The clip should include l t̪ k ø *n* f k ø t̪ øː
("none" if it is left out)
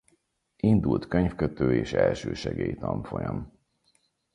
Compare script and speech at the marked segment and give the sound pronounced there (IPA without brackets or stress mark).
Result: ɲ